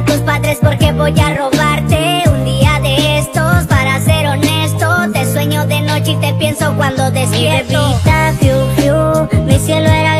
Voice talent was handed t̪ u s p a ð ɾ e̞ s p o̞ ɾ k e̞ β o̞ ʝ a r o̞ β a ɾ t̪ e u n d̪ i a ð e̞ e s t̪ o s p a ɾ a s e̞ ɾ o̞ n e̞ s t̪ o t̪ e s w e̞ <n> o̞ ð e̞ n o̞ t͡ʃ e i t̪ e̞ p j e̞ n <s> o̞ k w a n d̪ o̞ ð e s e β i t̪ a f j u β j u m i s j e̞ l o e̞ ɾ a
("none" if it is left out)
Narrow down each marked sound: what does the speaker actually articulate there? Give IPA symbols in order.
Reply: ɲ, s

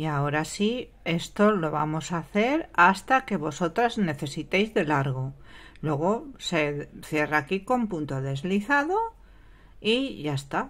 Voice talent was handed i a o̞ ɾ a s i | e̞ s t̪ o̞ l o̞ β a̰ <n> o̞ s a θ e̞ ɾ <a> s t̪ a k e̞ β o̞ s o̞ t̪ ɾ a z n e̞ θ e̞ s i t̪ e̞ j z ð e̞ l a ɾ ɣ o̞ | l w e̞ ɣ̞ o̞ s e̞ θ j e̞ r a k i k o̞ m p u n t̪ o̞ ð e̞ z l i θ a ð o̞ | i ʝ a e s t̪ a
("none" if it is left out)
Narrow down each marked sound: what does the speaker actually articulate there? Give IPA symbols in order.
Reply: m, a

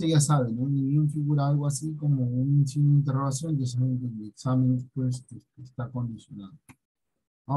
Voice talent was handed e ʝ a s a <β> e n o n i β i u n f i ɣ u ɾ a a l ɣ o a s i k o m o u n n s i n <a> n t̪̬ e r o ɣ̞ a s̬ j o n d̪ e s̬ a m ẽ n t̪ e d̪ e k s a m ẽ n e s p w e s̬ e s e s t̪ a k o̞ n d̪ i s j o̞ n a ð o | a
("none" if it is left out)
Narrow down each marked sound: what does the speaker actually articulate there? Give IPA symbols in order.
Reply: β, i

